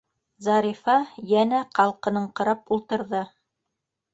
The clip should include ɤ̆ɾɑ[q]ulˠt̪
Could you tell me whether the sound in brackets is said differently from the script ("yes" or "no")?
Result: yes